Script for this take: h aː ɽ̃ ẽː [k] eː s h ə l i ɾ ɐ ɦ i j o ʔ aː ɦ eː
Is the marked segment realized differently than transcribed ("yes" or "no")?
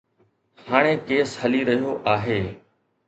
no